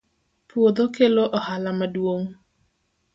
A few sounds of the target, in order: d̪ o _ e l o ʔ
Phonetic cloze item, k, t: k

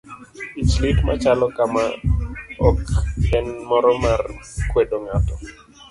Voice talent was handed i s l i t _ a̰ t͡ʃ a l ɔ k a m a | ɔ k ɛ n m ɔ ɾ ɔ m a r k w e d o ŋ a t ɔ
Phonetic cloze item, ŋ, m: m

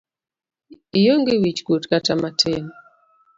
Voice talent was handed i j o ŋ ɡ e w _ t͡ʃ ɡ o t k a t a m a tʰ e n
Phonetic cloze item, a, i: i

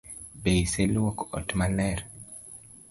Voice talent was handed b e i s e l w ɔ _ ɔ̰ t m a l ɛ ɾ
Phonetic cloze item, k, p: k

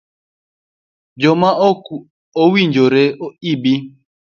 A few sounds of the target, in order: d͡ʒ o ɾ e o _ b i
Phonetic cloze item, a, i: i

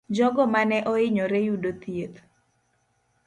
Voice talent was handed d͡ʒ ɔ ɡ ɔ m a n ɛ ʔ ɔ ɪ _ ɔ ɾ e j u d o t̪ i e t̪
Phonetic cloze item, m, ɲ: ɲ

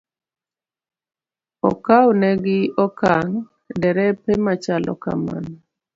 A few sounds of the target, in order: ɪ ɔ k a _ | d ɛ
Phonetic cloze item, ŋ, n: ŋ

